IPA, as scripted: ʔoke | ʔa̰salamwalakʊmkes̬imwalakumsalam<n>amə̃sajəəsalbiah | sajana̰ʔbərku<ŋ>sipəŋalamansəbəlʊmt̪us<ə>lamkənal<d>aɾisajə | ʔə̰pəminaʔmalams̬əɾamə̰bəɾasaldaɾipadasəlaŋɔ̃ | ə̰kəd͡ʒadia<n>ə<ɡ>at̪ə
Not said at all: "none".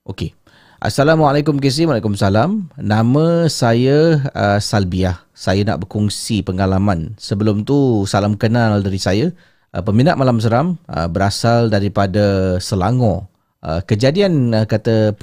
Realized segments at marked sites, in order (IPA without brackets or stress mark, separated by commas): n, ŋ, a, d, n, k